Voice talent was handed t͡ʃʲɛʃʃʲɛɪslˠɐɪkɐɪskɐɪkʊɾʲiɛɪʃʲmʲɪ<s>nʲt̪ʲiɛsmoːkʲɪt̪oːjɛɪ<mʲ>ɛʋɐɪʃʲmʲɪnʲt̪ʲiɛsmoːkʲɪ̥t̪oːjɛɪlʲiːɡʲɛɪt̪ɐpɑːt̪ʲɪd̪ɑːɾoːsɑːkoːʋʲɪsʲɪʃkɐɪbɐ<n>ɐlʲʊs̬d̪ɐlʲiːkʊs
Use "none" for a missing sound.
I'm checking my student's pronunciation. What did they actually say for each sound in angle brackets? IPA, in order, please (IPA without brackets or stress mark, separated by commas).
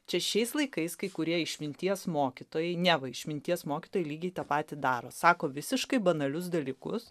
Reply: none, nʲ, n